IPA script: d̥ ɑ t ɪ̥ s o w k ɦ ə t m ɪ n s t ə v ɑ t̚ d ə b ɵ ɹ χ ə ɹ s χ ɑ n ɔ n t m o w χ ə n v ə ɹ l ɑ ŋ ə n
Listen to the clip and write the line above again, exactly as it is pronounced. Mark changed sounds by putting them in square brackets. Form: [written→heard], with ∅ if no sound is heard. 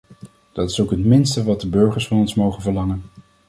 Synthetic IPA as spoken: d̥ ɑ t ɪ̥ s o w k ɦ ə t m ɪ n s t ə [v→ʋ] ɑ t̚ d ə b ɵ ɹ χ ə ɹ s [χ→f] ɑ n ɔ n [t→s] m o w χ ə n v ə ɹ l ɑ ŋ ə n